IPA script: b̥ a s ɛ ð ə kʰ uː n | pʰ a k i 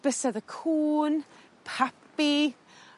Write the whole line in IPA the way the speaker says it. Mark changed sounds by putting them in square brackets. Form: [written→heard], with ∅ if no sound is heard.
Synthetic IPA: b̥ [a→ə] s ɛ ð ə kʰ uː n | pʰ a [k→p] i